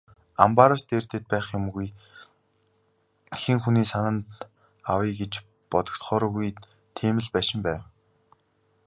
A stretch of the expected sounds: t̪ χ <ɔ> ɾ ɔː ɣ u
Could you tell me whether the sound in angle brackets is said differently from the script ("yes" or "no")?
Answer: yes